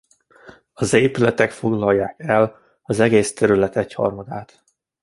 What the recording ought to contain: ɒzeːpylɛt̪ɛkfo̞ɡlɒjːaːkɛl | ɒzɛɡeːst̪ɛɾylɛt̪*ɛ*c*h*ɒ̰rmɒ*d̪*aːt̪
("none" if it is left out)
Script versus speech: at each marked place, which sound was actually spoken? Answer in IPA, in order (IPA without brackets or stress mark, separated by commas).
ɛ, h, d̪